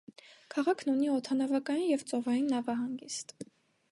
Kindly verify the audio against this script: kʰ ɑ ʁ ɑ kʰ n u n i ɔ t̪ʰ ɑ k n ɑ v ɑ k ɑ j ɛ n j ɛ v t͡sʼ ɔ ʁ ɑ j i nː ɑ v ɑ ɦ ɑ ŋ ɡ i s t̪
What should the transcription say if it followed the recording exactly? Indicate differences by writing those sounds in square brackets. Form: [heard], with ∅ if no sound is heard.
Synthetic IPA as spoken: kʰ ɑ ʁ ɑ kʰ n u n i ɔ t̪ʰ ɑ [∅] n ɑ v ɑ k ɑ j [i] n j ɛ v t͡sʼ ɔ [v] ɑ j i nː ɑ v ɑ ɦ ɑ ŋ ɡ i s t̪